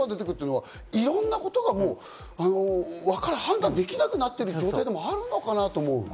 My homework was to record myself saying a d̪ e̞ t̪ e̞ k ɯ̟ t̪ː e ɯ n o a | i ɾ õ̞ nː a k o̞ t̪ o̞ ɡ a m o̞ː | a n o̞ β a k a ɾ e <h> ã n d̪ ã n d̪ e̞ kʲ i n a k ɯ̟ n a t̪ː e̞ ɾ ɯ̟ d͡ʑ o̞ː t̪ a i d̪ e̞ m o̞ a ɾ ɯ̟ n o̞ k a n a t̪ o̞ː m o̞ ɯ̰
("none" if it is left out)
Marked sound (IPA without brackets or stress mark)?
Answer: h